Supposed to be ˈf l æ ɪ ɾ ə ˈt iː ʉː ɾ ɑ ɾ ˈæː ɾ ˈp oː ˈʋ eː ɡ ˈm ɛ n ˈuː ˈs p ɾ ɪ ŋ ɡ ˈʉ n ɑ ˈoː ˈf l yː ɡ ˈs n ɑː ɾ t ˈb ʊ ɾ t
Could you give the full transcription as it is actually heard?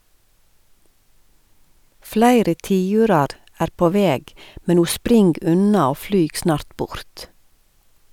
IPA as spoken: ˈf l æ ɪ ɾ ə ˈt iː ʉː ɾ ɑ ɾ ˈæː ɾ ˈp oː ˈʋ eː ɡ ˈm ɛ n ˈuː ˈs p ɾ ɪ ŋ ɡ ˈʉ n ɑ ˈoː ˈf l yː ɡ ˈs n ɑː ɾ t ˈb ʊ ɾ t

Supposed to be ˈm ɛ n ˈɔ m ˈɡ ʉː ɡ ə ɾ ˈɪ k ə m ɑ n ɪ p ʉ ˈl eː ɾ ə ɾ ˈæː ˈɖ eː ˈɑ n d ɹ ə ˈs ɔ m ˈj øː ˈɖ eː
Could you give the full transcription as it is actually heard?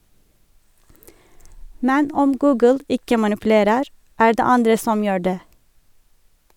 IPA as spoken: ˈm ɛ n ˈɔ m ˈɡ ʉː ɡ ə l ˈɪ k ə m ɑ n ɪ p ʉ ˈl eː ɾ ə ɾ ˈæː ˈɖ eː ˈɑ n d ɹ ə ˈs ɔ m ˈj øː ˈɖ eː

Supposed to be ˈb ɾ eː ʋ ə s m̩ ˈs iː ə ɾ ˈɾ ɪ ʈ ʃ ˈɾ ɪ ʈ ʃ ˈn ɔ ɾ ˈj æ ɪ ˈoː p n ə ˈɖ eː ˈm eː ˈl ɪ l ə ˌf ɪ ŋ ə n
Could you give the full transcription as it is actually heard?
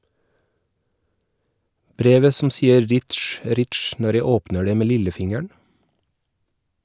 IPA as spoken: ˈb ɾ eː ʋ ə s m̩ ˈs iː ə ɾ ˈɾ ɪ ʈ ʃ ˈɾ ɪ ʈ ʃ ˈn ɔ ɾ ˈj æ ɪ ˈoː p n ə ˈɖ eː ˈm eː ˈl ɪ l ə ˌf ɪ ŋ ə ɳ

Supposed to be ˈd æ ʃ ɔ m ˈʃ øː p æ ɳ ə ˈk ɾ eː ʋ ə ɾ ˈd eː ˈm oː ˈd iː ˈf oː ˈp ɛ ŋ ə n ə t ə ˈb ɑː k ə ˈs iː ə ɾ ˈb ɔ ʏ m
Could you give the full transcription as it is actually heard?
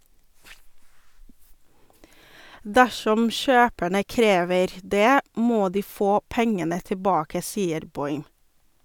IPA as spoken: ˈd æ ʃ ɔ m ˈʃ øː p æ ɳ ə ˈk ɾ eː ʋ ə ɾ ˈd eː ˈm oː ˈd iː ˈf oː ˈp ɛ ŋ ə n ə t ə ˈb ɑː k ə ˈs iː ə ɾ ˈb ɔ ʏ m

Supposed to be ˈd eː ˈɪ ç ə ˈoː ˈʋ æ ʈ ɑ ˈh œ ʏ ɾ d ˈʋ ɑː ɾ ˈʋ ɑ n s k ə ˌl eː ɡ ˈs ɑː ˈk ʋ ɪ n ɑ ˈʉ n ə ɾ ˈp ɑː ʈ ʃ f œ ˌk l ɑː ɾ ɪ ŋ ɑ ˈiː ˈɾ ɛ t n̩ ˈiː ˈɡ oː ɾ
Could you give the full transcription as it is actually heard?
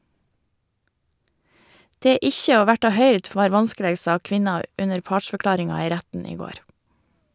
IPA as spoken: ˈd eː ˈɪ ç ə ˈoː ˈʋ æ ʈ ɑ ˈh œ ʏ ɾ d ˈʋ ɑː ɾ ˈʋ ɑ n s k ə ˌl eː ɡ ˈs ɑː ˈk ʋ ɪ n ɑ ˈʉ n ə ɾ ˈp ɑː ʈ ʃ f œ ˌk l ɑː ɾ ɪ ŋ ɑ ˈiː ˈɾ æ t n̩ ˈiː ˈɡ oː ɾ

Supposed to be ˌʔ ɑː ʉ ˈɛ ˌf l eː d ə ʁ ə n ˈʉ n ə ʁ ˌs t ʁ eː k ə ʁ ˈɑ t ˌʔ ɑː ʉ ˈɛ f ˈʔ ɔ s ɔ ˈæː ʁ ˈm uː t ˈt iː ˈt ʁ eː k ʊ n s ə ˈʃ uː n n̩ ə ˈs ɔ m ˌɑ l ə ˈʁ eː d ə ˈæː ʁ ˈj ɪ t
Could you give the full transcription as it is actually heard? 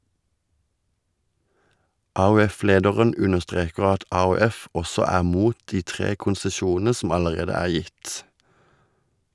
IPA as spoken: ˌʔ ɑː ʉ ˈɛ ˌf l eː d ə ʁ ə n ˈʉ n ə ʁ ˌs t ʁ eː k ə ʁ ˈɑ t ˌʔ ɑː ʉ ˈɛ f ˈʔ ɔ s ɔ ˈæː ʁ ˈm uː t ˈt iː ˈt ʁ eː k ʊ n s ə ˈʃ uː n n̩ ə ˈs ɔ m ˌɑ l ə ˈʁ eː d ə ˈæː ʁ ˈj ɪ t

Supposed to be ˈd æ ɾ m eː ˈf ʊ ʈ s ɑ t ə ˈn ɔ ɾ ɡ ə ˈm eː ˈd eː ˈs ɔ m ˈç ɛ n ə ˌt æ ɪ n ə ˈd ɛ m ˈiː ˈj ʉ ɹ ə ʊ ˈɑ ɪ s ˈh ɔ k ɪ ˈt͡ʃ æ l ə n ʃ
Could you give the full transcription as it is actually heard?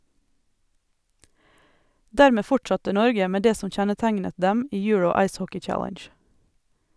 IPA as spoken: ˈd æː ɾ m eː ˈf ʊ ʈ s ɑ t ə ˈn ɔ ɾ ɡ ə ˈm eː ˈd eː ˈs ɔ m ˈç ɛ n ə ˌt æ ɪ n ə ˈd ɛ m ˈiː ˈj ʉ ɹ ə ʊ ˈɑ ɪ s ˈh ɔ k ɪ ˈt͡ʃ æ l ə n ʃ

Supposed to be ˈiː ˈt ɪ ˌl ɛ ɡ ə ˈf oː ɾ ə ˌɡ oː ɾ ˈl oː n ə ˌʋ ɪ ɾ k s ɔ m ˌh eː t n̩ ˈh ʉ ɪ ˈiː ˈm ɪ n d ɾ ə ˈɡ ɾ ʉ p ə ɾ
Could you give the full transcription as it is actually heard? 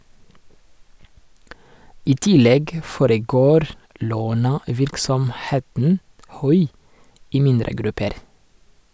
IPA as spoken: ˈiː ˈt ɪ ˌl ɛ ɡ ə ˈf oː ɾ ə ˌɡ oː ɾ ˈl oː n ə ˌʋ ɪ ɾ k s ɔ m ˌh eː t n̩ ˈh ʉ ɪ ˈiː ˈm ɪ n d ɾ ə ˈɡ ɾ ʉ p ə ɾ

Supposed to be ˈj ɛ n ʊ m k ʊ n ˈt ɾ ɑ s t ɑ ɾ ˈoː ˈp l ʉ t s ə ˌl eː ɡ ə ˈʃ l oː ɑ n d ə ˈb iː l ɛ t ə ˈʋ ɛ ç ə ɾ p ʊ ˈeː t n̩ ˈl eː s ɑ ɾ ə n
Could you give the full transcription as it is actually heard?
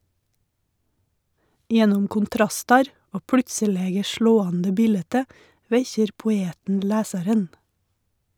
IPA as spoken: ˈj ɛ n ʊ m k ʊ n ˈt ɾ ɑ s t ɑ ɾ ˈoː ˈp ɽ ʉ t s ə ˌl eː ɡ ə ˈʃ ɭ oː ɑ n d ə ˈb iː l ɛ t ə ˈʋ ɛ ç ə ɾ p ʊ ˈeː t n̩ ˈl æː s ɑ ɾ ə n

